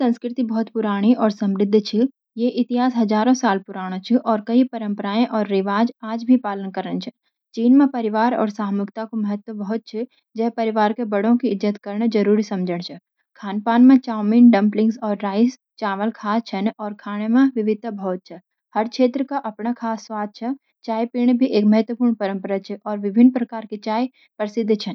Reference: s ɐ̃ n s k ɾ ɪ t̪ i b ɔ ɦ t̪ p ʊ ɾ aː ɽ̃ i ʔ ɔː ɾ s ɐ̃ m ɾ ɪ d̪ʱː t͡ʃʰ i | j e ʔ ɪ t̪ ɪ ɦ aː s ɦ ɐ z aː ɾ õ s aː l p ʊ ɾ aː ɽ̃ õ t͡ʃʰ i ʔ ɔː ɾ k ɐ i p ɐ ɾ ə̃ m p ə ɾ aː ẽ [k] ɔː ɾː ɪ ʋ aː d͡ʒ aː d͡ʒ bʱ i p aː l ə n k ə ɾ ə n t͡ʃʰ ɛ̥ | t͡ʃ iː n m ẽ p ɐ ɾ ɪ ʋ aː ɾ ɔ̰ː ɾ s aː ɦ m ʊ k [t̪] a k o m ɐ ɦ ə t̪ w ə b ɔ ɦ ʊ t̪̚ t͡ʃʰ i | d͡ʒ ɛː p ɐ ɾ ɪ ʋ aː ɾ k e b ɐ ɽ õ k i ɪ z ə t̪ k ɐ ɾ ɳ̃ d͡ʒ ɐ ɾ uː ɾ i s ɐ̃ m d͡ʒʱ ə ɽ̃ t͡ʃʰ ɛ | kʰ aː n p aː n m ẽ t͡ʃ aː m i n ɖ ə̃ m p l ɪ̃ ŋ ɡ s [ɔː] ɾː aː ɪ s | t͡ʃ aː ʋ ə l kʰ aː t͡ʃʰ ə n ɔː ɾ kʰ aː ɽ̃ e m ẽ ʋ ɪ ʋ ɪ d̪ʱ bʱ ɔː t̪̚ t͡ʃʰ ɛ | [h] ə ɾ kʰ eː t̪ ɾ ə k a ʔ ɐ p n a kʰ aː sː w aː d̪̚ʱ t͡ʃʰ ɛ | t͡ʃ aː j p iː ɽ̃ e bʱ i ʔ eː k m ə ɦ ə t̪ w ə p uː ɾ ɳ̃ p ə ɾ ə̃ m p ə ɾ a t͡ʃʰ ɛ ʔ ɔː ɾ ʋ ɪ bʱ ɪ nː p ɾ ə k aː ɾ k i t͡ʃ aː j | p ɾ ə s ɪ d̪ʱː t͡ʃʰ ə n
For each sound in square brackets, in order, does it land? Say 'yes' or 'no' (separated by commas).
no, yes, yes, yes